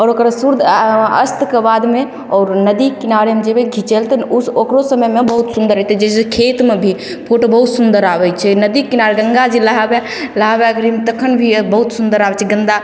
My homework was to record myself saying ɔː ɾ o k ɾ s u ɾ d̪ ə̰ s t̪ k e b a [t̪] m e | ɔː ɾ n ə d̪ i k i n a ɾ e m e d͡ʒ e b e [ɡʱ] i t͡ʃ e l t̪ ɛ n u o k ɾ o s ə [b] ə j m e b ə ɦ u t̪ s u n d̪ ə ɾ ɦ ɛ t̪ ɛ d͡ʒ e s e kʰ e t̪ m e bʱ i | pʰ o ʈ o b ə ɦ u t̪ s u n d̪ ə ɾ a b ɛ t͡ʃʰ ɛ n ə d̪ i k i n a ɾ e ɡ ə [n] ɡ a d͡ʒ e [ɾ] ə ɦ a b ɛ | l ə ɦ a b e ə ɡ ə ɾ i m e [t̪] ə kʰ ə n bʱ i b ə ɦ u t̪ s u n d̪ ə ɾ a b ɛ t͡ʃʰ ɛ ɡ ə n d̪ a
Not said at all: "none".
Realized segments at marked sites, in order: d̪, ɡʱ, m, ŋ, l, t̪

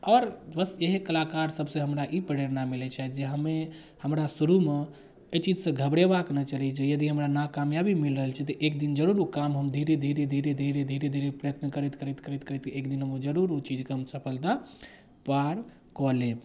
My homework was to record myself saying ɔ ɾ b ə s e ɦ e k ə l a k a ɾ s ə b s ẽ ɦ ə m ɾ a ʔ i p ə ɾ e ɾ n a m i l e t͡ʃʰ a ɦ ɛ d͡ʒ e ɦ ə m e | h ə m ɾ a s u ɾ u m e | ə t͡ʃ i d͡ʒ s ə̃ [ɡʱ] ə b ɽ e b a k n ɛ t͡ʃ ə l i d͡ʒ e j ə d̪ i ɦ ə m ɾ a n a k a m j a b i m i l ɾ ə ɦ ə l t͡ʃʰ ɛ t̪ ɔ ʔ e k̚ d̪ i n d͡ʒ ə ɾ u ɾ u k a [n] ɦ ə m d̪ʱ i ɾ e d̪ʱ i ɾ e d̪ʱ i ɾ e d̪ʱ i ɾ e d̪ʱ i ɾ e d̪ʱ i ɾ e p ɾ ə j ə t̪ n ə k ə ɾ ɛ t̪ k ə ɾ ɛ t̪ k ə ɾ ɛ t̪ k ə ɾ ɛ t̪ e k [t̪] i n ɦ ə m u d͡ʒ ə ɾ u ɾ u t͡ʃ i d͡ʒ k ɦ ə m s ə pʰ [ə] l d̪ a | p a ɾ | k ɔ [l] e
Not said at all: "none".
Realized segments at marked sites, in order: ɡʱ, m, d̪, ə, l

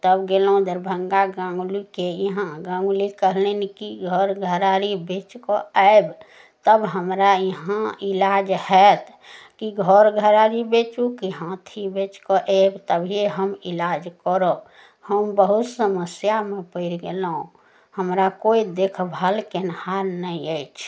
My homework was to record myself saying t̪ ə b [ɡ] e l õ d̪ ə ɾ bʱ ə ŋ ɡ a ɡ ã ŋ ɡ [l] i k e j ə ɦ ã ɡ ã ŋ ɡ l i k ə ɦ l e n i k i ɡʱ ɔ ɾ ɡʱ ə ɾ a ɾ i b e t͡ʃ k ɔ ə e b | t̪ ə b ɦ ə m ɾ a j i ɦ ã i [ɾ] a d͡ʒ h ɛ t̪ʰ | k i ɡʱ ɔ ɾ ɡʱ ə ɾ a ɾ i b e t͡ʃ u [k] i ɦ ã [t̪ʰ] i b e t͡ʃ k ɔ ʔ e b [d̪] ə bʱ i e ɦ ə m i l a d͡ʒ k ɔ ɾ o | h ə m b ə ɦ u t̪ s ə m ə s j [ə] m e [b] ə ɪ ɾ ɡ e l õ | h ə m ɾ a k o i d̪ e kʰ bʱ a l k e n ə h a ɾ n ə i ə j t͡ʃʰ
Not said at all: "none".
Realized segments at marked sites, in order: ɡ, l, l, k, t̪ʰ, t̪, a, p

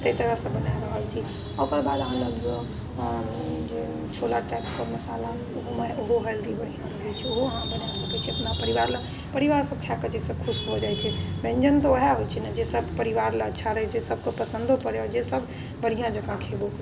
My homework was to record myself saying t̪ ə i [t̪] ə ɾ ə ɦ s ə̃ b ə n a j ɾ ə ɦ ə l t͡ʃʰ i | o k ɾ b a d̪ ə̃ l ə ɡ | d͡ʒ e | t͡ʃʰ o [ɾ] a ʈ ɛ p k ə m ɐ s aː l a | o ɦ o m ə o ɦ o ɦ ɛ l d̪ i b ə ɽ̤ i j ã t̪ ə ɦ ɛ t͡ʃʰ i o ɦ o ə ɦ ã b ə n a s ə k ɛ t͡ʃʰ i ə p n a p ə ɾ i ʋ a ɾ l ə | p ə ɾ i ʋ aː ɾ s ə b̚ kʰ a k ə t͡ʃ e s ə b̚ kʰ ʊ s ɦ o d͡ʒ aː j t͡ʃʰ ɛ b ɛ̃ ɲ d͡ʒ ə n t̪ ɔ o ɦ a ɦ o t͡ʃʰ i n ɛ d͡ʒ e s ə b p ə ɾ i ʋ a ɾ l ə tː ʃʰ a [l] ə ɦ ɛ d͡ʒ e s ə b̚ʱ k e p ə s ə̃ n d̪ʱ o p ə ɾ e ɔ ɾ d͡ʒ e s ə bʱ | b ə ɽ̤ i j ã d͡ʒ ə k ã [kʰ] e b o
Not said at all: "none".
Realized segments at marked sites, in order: t̪, l, ɾ, kʰ

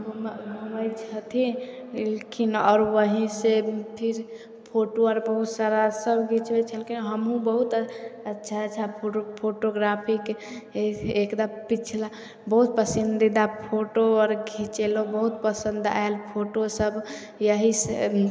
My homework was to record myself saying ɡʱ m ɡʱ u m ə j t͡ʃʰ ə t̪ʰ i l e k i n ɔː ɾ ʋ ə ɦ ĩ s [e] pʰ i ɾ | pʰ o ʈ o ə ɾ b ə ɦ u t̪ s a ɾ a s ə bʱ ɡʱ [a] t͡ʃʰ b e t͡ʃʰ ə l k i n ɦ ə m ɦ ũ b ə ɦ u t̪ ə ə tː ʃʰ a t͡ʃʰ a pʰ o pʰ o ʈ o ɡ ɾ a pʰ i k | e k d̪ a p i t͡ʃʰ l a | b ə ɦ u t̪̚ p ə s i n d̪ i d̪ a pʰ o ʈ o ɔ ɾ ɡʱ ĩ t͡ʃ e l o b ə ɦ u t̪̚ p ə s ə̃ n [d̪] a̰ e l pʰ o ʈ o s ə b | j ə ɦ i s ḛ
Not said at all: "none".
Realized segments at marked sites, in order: e, i, d̪

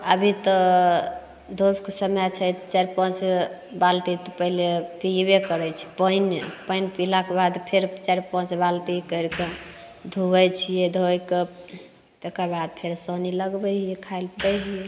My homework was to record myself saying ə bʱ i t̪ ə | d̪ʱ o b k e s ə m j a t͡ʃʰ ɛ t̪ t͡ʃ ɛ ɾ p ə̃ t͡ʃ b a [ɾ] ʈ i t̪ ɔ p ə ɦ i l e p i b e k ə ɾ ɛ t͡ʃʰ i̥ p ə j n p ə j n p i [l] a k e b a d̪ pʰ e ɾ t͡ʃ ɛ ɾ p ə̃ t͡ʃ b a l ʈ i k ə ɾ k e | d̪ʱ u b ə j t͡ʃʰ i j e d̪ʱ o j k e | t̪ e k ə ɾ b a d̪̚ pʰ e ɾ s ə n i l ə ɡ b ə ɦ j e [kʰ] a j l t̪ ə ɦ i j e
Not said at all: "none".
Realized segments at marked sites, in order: l, l, kʰ

